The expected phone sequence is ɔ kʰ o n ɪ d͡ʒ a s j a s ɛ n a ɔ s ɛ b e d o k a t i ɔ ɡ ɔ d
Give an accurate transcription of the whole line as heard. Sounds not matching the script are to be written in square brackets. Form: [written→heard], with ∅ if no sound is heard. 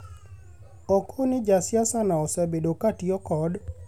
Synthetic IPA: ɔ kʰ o n ɪ d͡ʒ a s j a s [ɛ→a] n a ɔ s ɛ b e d o k a t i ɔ [ɡ→k] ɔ d